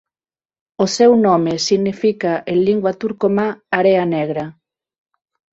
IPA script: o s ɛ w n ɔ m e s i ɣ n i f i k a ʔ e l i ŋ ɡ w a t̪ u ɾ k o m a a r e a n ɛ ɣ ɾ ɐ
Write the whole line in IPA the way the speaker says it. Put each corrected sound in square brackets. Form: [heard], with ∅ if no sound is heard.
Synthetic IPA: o s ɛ w n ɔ m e s i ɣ n i f i k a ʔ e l i ŋ ɡ w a t̪ u ɾ k o m a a [ɾ] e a n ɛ ɣ ɾ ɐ